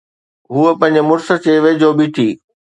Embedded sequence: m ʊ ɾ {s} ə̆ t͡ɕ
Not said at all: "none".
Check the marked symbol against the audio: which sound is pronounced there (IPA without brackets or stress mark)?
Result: s